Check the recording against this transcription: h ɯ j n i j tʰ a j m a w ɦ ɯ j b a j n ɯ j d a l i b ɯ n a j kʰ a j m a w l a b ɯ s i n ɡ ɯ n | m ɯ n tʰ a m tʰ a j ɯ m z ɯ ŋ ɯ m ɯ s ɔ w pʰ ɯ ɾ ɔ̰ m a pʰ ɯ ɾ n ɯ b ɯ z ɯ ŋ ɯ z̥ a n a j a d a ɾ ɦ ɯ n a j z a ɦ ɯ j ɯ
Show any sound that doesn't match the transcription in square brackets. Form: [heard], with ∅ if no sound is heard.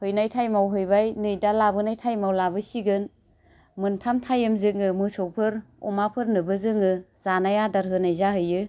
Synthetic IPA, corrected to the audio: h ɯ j n [a] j tʰ a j m a w ɦ ɯ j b a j n ɯ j d a l [a] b ɯ n a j [tʰ] a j m a w l a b ɯ s i [∅] ɡ ɯ n | m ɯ n tʰ a m tʰ a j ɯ m z ɯ ŋ ɯ m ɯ s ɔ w pʰ ɯ ɾ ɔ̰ m a pʰ ɯ ɾ n ɯ b ɯ z ɯ ŋ ɯ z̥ a n a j a d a ɾ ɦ ɯ n a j z a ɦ ɯ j ɯ